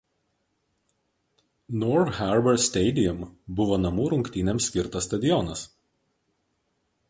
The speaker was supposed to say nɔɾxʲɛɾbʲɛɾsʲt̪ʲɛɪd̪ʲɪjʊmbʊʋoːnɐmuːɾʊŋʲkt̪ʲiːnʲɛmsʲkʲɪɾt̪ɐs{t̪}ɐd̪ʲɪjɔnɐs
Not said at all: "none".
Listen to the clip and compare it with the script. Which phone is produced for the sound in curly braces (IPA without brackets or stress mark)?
t̪